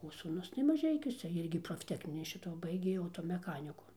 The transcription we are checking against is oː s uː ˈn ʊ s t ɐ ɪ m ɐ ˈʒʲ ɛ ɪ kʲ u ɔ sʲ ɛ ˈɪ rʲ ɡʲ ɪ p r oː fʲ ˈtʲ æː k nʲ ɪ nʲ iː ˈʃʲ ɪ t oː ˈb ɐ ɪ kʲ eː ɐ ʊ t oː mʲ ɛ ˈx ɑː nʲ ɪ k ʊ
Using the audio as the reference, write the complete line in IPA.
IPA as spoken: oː s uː ˈn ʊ s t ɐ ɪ m ɐ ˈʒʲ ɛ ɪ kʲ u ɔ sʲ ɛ ˈɪ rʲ ɡʲ ɪ p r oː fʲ ˈtʲ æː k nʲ ɪ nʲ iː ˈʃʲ ɪ t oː ˈb ɐ ɪ ɡʲ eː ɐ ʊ t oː mʲ ɛ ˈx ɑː nʲ ɪ k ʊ